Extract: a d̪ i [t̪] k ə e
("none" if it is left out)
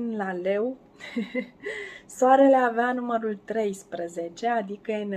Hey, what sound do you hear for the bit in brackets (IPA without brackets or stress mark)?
none